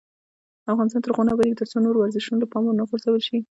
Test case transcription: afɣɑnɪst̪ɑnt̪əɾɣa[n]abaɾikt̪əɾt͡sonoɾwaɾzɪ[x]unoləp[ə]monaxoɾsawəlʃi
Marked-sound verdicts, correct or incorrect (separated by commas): correct, incorrect, incorrect